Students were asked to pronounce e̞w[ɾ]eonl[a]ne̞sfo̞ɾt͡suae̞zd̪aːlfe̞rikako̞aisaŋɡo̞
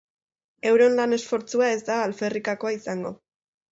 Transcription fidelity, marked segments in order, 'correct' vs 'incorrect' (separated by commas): correct, correct